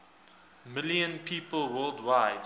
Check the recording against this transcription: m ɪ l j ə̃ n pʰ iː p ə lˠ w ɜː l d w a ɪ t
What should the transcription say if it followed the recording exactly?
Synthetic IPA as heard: m ɪ l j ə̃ n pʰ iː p ə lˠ w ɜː l d w a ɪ d